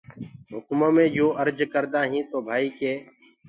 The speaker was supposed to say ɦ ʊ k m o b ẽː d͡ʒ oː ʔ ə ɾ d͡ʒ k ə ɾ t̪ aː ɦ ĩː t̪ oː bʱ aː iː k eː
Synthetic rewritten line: ɦ ʊ k m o m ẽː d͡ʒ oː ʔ ə ɾ d͡ʒ k ə ɾ d̪ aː ɦ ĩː t̪ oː bʱ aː iː k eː